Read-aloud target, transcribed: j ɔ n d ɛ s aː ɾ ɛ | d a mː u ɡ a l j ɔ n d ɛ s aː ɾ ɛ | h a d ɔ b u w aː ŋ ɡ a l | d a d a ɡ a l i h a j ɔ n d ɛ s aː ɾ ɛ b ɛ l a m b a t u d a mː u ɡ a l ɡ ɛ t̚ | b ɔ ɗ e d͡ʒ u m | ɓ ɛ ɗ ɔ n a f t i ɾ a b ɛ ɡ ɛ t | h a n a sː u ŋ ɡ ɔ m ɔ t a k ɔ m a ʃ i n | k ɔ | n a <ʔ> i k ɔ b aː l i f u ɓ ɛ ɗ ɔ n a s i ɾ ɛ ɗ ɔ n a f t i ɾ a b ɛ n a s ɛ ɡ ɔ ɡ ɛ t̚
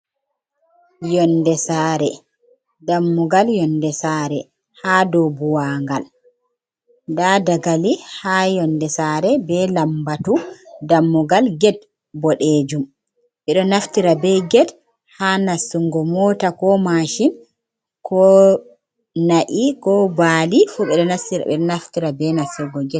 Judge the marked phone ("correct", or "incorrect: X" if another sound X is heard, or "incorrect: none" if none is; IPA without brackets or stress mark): correct